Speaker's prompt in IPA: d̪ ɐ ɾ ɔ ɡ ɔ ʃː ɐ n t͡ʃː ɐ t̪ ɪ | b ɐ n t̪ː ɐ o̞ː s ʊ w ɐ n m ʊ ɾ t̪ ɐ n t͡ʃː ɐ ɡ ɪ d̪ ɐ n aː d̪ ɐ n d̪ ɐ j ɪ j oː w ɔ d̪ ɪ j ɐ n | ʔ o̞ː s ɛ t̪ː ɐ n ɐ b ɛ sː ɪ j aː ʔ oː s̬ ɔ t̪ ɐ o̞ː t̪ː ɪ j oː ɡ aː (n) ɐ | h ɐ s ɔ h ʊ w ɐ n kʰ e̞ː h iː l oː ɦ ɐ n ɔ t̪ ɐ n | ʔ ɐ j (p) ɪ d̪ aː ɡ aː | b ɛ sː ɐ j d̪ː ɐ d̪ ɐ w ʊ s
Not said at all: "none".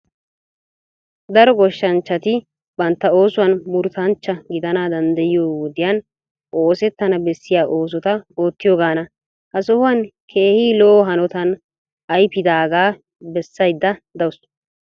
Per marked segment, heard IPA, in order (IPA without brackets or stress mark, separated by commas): n, p